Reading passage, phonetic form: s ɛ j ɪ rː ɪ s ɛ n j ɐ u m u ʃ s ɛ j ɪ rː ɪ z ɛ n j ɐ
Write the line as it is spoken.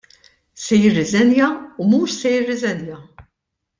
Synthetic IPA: s ɛ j ɪ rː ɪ z ɛ n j ɐ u m uː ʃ s ɛ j ɪ rː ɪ z ɛ n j ɐ